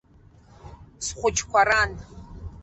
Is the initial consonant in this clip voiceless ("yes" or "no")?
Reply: yes